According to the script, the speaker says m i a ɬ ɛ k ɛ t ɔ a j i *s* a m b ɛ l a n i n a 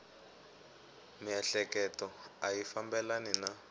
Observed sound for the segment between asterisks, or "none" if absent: f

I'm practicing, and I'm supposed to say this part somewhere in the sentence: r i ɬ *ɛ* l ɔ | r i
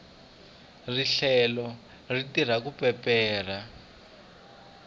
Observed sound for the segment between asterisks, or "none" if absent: ɛ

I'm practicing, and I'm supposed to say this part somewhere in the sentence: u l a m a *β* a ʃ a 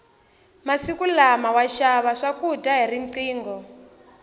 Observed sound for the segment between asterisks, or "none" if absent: w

